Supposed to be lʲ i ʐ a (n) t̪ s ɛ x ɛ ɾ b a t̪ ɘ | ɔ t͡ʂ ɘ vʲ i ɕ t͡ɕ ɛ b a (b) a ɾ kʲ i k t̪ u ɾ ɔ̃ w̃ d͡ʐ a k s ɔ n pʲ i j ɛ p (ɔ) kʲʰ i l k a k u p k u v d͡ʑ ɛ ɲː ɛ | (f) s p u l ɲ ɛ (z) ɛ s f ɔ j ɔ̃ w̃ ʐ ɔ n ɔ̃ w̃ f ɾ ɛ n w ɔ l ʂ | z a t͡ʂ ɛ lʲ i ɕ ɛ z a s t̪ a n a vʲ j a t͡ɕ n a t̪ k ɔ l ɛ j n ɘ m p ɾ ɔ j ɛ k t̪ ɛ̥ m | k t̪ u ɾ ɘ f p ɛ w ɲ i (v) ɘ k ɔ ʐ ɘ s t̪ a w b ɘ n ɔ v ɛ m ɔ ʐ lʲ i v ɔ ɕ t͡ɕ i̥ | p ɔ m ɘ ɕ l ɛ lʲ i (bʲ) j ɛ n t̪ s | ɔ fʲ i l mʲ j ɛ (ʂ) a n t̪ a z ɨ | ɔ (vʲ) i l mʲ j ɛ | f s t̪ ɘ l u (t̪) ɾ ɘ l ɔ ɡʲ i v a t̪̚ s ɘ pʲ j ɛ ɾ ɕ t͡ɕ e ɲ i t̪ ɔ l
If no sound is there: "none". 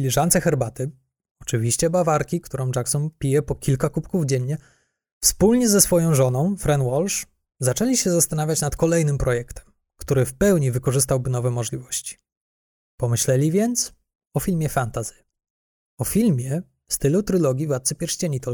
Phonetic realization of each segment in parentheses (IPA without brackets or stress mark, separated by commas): n, v, ɔ, f, z, v, vʲ, f, fʲ, t̪